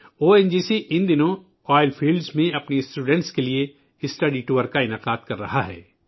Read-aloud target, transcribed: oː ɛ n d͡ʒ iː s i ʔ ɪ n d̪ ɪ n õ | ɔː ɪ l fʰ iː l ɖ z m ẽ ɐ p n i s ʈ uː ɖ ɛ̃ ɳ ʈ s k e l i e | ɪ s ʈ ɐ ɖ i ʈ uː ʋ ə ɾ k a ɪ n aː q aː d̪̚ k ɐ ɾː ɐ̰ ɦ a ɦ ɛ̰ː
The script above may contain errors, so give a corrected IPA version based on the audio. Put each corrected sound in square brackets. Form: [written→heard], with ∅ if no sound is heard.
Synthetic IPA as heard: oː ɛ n d͡ʒ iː s i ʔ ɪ n d̪ ɪ n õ | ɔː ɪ l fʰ iː l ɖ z m ẽ ɐ p n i s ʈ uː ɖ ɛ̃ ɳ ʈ s k e l i e | ɪ s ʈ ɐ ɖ i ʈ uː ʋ ə ɾ k a ɪ n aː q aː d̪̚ k ɐ ɾː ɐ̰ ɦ a ɦ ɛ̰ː